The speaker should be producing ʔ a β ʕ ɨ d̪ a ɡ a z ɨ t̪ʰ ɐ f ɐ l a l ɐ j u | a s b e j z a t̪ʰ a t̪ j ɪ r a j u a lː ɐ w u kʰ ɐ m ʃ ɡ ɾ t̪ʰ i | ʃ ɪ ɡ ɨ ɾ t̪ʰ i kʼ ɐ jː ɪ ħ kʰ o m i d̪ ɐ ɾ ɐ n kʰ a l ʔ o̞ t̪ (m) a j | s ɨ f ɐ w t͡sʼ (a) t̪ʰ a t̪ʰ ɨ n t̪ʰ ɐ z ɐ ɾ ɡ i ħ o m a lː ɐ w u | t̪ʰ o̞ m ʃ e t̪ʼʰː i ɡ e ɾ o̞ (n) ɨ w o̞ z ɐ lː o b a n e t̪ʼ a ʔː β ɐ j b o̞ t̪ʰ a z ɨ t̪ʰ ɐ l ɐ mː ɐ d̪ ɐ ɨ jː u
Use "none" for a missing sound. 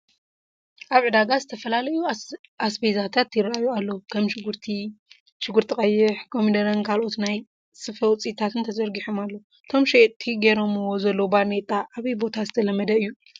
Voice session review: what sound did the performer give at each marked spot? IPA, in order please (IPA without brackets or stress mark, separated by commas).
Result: n, i, m